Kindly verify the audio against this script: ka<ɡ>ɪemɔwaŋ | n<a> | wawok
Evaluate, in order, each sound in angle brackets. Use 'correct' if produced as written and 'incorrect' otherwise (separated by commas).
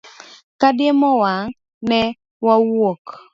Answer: incorrect, incorrect